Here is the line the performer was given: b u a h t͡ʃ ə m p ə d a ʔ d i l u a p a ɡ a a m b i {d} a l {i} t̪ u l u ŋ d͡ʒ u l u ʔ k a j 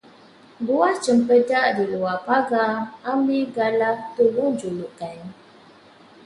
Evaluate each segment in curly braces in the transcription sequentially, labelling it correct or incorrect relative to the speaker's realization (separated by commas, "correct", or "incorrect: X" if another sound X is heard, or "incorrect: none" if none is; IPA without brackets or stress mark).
incorrect: ɡ, incorrect: a